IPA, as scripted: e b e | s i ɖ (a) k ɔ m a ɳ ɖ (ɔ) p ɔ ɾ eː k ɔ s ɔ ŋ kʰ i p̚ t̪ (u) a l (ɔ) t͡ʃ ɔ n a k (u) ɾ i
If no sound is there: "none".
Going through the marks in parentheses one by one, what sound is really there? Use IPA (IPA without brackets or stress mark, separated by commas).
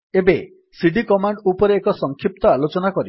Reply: i, u, ɔ, o, ɔ